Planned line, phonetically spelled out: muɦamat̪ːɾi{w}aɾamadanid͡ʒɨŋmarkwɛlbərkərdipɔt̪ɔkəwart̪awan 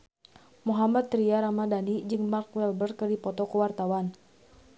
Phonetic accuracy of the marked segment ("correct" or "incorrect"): incorrect